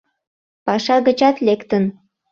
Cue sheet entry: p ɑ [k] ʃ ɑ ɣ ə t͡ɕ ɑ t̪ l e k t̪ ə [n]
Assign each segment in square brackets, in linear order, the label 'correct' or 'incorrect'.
incorrect: none, correct

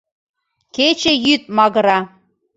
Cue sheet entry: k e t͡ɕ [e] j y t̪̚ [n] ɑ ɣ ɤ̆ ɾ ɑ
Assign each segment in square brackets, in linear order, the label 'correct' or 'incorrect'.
correct, incorrect: m

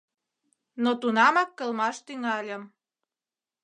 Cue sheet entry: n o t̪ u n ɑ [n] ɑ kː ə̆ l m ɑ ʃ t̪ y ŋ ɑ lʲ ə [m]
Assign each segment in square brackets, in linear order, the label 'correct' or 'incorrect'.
incorrect: m, correct

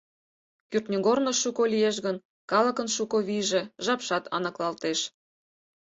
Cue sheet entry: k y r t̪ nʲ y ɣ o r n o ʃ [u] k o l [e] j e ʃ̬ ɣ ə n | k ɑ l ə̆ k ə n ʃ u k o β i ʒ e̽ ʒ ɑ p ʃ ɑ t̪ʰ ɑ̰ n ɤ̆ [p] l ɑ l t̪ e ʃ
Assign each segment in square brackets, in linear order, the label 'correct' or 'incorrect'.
correct, incorrect: i, incorrect: k

